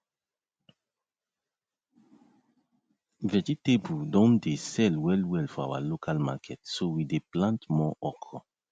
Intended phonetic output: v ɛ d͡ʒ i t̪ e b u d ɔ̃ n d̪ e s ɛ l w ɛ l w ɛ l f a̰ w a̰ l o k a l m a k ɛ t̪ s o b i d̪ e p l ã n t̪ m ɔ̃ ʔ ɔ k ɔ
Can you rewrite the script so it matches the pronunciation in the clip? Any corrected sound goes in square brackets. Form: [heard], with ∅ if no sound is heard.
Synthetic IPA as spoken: v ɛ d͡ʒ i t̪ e b u d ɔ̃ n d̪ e s ɛ l w ɛ l w ɛ l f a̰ w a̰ l o k a l m a k ɛ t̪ s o [w] i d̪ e p l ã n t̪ m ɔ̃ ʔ ɔ k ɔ